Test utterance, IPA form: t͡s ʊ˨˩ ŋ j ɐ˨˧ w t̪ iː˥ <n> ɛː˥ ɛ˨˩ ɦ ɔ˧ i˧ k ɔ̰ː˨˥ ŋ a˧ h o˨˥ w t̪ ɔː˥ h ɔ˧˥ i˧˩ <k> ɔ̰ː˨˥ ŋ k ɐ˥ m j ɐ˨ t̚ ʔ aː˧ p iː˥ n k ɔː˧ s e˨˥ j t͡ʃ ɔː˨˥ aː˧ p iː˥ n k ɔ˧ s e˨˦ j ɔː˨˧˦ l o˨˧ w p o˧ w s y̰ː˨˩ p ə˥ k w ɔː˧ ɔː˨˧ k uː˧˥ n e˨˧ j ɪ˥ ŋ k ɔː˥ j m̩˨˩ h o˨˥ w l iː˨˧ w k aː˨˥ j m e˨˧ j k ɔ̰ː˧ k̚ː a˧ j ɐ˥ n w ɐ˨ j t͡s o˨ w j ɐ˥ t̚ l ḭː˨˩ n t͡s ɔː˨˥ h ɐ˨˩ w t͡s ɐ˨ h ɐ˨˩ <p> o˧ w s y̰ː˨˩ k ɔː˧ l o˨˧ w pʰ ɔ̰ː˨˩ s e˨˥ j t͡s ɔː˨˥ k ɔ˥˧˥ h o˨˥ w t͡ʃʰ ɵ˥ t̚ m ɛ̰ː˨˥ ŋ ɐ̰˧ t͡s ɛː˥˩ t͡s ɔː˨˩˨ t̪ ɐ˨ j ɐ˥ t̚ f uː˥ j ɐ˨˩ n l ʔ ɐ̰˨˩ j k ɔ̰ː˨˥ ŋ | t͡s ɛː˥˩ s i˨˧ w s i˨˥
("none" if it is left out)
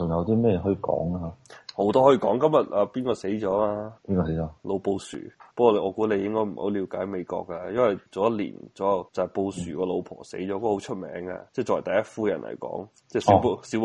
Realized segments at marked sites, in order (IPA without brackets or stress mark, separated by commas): m, k, p